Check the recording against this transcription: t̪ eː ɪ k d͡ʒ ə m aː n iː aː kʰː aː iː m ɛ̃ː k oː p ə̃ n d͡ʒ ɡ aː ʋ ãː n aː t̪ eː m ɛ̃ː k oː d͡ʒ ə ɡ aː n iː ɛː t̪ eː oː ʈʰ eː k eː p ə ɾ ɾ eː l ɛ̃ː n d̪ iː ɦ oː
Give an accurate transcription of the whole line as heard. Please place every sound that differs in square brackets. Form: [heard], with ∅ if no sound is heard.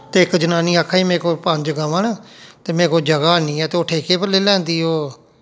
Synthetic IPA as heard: t̪ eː ɪ k d͡ʒ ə [n] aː n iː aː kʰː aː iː m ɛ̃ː k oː p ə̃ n d͡ʒ ɡ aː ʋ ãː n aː t̪ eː m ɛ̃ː k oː d͡ʒ ə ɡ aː n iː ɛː t̪ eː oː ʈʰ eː k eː p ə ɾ [l] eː l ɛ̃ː n d̪ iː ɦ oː